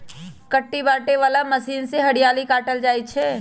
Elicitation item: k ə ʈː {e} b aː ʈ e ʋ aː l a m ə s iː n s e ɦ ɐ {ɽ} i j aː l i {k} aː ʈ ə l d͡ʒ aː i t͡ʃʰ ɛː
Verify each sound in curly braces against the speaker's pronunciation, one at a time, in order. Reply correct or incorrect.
incorrect: i, correct, correct

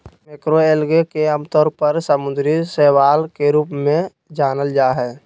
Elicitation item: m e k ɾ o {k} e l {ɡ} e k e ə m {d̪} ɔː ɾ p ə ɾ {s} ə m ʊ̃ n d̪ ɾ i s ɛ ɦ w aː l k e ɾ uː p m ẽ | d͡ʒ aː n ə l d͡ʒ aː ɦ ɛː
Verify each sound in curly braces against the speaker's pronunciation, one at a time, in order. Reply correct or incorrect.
incorrect: none, correct, incorrect: t̪, correct

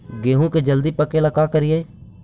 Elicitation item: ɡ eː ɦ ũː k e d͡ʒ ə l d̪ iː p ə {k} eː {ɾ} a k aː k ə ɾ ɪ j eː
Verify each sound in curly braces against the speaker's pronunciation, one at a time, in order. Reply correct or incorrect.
correct, incorrect: l

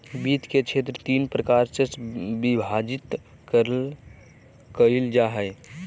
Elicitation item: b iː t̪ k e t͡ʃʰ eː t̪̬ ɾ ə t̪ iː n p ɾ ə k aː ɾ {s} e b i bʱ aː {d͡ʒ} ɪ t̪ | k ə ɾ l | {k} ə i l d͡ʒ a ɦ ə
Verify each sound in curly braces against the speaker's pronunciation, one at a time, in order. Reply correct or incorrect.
correct, correct, correct

